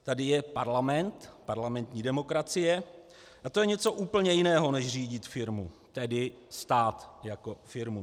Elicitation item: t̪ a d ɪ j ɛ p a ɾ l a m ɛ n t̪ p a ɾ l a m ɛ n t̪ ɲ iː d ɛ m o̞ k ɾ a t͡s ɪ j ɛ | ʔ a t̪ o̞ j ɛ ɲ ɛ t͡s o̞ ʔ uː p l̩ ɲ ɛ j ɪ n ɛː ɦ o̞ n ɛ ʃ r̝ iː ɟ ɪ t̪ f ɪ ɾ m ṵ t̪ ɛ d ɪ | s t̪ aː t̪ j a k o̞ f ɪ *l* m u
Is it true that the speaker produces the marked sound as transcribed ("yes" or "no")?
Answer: no